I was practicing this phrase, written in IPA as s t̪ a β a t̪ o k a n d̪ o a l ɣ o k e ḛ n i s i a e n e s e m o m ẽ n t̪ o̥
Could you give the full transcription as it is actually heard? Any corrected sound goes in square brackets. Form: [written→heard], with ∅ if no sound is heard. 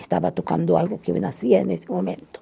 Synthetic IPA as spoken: s t̪ a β a t̪ o k a n d̪ o a l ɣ o k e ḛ n [i→a] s i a e n e s e m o m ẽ n t̪ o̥